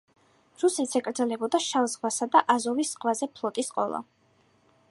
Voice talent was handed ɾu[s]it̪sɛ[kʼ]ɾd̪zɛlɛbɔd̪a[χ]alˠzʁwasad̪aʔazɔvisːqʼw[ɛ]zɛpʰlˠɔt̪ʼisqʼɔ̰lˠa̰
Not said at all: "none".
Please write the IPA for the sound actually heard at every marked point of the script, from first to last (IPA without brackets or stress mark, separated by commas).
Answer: s, kʼ, ʃ, a